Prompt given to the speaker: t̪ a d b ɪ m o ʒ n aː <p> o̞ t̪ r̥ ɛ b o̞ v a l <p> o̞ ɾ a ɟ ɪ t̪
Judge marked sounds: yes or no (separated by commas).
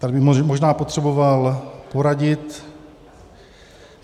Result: yes, yes